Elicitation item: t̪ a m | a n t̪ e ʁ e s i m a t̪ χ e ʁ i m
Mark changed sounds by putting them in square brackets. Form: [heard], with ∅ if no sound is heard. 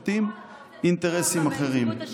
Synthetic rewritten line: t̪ [i] m | [i] n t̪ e ʁ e s i m a [∅] χ e ʁ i m